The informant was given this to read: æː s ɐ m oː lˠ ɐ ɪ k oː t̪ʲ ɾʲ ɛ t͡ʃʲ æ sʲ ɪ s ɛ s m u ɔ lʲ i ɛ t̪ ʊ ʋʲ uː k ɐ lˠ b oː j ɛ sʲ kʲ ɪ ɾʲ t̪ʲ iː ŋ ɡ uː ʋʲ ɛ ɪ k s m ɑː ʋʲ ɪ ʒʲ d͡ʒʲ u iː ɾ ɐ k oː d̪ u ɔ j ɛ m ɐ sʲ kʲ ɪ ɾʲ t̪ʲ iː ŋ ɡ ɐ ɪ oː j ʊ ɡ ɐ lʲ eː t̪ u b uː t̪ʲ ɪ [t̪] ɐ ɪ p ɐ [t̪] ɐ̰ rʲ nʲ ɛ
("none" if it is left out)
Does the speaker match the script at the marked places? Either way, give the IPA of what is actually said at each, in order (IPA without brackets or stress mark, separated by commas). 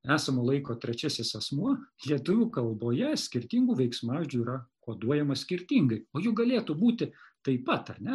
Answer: t̪, t̪